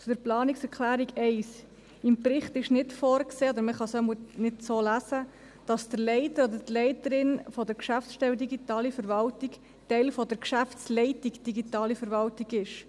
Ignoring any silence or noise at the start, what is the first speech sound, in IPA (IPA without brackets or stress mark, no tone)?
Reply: t͡s